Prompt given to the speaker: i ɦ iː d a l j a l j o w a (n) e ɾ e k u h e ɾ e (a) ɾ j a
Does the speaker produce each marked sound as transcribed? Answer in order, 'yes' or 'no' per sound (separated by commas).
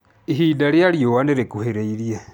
yes, no